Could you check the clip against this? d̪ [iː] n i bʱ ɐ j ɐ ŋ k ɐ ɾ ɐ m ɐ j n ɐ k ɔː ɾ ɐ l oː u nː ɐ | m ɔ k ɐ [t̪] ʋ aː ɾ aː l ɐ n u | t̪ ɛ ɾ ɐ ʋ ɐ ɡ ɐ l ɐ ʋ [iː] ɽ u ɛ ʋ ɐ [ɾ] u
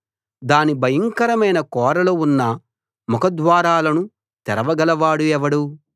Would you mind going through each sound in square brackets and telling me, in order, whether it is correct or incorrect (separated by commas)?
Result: incorrect, incorrect, incorrect, incorrect